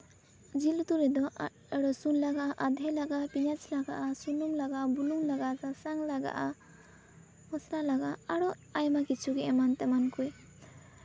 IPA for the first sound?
d͡ʒ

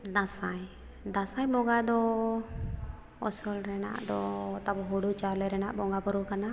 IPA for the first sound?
d̪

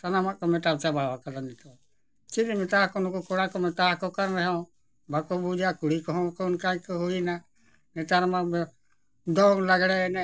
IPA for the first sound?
t̪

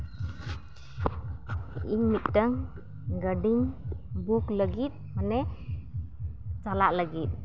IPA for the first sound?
i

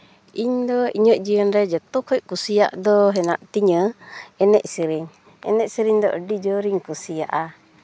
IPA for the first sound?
i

